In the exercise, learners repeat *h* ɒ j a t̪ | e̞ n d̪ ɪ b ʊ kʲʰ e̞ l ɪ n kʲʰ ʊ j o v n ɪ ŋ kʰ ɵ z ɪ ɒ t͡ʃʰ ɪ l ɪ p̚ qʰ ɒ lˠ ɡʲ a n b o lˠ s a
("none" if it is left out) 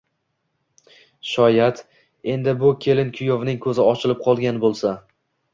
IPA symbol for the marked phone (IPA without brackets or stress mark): ʃ